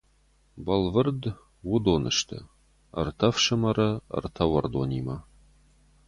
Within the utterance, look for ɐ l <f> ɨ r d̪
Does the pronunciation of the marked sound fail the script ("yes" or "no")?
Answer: yes